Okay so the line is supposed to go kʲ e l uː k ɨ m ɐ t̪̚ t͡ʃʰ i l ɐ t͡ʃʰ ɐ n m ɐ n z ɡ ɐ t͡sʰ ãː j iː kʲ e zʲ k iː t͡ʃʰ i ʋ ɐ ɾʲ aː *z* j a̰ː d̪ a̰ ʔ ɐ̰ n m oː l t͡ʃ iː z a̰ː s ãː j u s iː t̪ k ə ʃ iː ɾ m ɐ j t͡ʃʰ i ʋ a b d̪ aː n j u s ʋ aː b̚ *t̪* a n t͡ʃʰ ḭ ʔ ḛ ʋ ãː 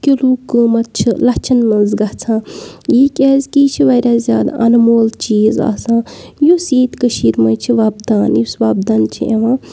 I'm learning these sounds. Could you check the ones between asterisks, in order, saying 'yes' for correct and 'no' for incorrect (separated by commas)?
yes, no